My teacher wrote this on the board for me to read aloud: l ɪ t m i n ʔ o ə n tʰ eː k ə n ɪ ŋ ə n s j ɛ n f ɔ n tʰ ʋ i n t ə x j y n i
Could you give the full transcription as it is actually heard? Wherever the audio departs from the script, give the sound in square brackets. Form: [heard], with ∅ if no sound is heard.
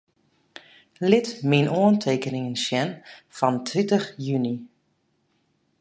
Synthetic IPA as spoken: l ɪ t m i n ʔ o ə n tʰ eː k ə n ɪ ŋ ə n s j ɛ n f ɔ n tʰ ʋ i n t ə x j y n i